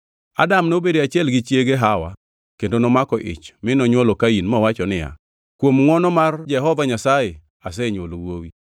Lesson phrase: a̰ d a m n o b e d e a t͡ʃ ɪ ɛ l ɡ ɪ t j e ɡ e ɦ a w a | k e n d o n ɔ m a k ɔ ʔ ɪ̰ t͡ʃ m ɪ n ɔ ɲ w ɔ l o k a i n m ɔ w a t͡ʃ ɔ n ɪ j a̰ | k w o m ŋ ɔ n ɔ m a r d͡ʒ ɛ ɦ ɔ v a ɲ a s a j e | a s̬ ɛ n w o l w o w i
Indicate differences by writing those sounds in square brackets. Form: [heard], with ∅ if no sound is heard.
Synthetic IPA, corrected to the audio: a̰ d a m n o b e d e a t͡ʃ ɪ ɛ l ɡ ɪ [t͡ʃ] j e ɡ e ɦ a w a | k e n d o n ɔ m a k ɔ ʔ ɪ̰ t͡ʃ m ɪ n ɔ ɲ w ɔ l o k a i n m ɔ w a t͡ʃ ɔ n ɪ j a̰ | k w o m ŋ ɔ n ɔ m a r d͡ʒ ɛ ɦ ɔ v a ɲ a s a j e | a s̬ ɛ [ɲ] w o l w o w i

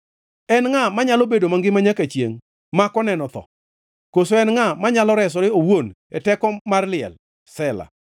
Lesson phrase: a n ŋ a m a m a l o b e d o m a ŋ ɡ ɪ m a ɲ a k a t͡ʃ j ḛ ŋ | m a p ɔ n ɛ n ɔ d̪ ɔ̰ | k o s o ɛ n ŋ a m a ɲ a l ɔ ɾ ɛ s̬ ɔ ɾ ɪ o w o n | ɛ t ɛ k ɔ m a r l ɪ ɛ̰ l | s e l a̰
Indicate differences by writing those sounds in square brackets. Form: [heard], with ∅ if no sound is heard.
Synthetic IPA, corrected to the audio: [ɛ] n ŋ a m a [ɲ] a l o b e d o m a ŋ ɡ ɪ m a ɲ a k a t͡ʃ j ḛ ŋ | m a [k] ɔ n ɛ n ɔ [t̪] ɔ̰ | k o s o ɛ n ŋ a m a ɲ a l ɔ ɾ ɛ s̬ ɔ ɾ ɪ o w o n | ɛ t ɛ k ɔ m a r l ɪ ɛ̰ l | s [ɛ] l a̰

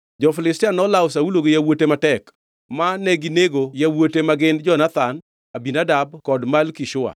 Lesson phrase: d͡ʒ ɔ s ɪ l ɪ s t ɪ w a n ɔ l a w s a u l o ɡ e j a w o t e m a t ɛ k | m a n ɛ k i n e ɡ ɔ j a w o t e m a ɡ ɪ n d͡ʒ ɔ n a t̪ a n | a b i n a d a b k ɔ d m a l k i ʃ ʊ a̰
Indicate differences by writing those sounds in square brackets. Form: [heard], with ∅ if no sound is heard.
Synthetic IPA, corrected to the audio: d͡ʒ ɔ [f] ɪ l ɪ s t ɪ [∅] a n ɔ l a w s a u l o ɡ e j a w o t e m a t ɛ k | m a n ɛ [ɡ] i n e ɡ [o] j a w o t e m a ɡ ɪ n d͡ʒ ɔ n a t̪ a n | a b i n a d a b k ɔ d m a l k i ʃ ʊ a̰

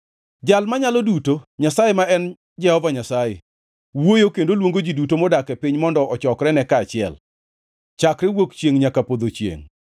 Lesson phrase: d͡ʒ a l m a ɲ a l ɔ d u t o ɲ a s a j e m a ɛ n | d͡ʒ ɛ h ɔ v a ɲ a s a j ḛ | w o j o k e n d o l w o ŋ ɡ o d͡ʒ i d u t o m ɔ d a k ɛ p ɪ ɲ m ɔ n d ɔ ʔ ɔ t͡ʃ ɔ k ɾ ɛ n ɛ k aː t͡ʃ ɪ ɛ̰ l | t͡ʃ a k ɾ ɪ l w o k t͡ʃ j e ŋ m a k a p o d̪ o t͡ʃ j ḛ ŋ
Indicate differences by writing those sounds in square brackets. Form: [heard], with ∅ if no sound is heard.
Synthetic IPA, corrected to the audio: d͡ʒ a l m a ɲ a l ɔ d u t o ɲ a s a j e m a ɛ n | d͡ʒ ɛ h ɔ v a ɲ a s a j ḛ | w o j o k e n d o l w o ŋ ɡ o d͡ʒ i d u t o m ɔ d a k ɛ p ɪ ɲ m ɔ n d ɔ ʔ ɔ t͡ʃ ɔ k ɾ ɛ n ɛ k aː t͡ʃ ɪ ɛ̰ l | t͡ʃ a k ɾ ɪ [∅] w o k t͡ʃ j e ŋ [ɲ] a k a p o d̪ o t͡ʃ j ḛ ŋ

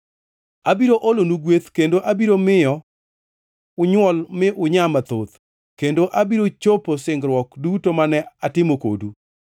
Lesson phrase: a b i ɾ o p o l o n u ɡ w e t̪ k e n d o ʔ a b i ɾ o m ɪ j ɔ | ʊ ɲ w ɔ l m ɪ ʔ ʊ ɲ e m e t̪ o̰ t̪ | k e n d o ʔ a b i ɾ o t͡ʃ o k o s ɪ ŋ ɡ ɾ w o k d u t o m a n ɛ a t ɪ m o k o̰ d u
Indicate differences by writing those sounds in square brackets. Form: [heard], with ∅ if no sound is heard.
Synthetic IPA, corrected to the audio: a b i ɾ o [ʔ] o l o n u ɡ w e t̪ k e n d o ʔ a b i ɾ o m ɪ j ɔ | ʊ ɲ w ɔ l m ɪ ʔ ʊ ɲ [a] m [a] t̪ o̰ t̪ | k e n d o ʔ a b i ɾ o t͡ʃ o [p] o s ɪ ŋ ɡ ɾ w [ɔ] k d u t o m a n ɛ a t ɪ m o k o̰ d u

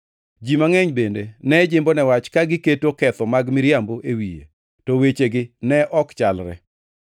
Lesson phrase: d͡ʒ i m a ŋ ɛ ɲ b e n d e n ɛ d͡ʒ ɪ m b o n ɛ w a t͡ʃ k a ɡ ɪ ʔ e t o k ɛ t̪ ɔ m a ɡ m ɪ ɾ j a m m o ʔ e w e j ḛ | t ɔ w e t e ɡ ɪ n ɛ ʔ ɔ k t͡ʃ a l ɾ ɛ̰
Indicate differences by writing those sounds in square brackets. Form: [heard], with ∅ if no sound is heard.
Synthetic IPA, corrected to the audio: d͡ʒ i m a ŋ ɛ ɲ b e n d e n ɛ d͡ʒ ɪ m b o n ɛ w a t͡ʃ k a ɡ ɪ [k] e t o k ɛ t̪ ɔ m a ɡ m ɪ ɾ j a m [b] o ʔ e w [i] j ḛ | t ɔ w e [t͡ʃ] e ɡ ɪ n ɛ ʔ ɔ k t͡ʃ a l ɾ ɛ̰

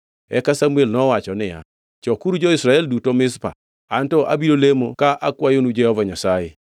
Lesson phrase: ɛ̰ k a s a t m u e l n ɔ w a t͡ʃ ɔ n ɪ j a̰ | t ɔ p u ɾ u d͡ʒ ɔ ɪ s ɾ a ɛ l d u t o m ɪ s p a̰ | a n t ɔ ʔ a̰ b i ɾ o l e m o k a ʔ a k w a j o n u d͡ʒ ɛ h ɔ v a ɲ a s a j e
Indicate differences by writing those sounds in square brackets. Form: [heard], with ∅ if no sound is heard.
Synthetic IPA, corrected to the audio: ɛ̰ k a s a [∅] m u e l n ɔ w a t͡ʃ ɔ n ɪ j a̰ | [t͡ʃ] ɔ [k] u ɾ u d͡ʒ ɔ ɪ s ɾ a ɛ l d u t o m ɪ s p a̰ | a n t ɔ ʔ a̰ b i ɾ o l e m o k a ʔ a k w a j o n u d͡ʒ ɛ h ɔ v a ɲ a s a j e

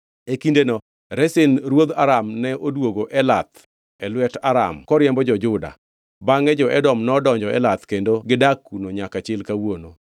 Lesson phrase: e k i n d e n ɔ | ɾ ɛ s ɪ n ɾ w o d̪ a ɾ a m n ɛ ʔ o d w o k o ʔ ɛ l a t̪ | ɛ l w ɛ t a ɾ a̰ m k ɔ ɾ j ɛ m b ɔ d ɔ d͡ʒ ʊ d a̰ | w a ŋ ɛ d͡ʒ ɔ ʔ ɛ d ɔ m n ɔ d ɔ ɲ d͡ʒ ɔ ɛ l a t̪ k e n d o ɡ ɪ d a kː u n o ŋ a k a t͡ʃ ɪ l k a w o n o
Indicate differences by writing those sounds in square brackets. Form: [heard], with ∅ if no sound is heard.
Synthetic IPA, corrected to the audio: e k i n d e n ɔ | ɾ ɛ s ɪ n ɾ w o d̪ a ɾ a m n ɛ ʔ o d w o [ɡ] o ʔ ɛ l a t̪ | ɛ l w ɛ t a ɾ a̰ m k ɔ ɾ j ɛ m b ɔ [d͡ʒ] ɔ d͡ʒ ʊ d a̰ | [b] a ŋ ɛ d͡ʒ ɔ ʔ ɛ d ɔ m n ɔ d ɔ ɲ d͡ʒ ɔ ɛ l a t̪ k e n d o ɡ ɪ d a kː u n o [ɲ] a k a t͡ʃ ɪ l k a w o n o

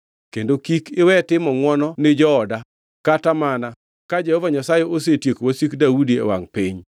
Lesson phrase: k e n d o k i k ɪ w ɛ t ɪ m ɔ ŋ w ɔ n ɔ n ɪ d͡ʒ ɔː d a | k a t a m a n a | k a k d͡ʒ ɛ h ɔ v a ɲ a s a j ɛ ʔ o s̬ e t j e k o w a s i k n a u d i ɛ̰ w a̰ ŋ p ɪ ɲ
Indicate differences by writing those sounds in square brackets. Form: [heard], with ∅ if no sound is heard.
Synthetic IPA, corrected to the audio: k e n d o k i k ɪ w ɛ t ɪ m ɔ ŋ w ɔ n ɔ n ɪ d͡ʒ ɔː d a | k a t a m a n a | k a [∅] d͡ʒ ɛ h ɔ v a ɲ a s a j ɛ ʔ o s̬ e t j e k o w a s i k [d] a u d i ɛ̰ w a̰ ŋ p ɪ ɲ

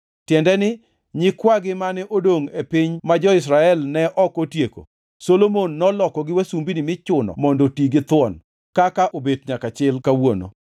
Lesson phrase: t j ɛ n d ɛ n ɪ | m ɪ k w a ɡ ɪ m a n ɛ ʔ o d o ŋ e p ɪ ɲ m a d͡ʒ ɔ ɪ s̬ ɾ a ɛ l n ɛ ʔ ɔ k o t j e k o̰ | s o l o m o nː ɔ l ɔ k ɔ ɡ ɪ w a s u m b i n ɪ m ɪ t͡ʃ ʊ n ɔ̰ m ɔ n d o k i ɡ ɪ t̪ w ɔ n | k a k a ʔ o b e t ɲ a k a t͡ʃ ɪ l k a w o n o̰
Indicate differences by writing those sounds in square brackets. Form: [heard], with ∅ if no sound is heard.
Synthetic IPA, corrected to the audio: t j ɛ n d ɛ n ɪ | [ɲ] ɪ k w a ɡ ɪ m a n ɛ ʔ o d o ŋ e p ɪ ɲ m a d͡ʒ ɔ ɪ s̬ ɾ a ɛ l n ɛ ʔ ɔ k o t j e k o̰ | s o l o m o nː ɔ l ɔ k ɔ ɡ ɪ w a s u m b i n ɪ m ɪ t͡ʃ ʊ n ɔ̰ m ɔ n d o [t] i ɡ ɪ t̪ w ɔ n | k a k a ʔ o b e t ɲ a k a t͡ʃ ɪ l k a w o n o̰

